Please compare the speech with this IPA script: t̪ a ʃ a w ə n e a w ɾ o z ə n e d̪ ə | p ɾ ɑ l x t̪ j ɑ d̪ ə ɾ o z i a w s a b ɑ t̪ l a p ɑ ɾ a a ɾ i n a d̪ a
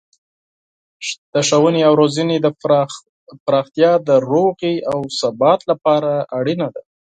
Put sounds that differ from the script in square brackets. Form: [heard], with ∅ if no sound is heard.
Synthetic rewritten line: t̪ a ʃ a w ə n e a w ɾ o z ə n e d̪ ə | p ɾ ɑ [∅] x t̪ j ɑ d̪ ə ɾ o [ɣ] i a w s a b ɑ t̪ l a p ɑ ɾ a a [ɽ] i n a d̪ a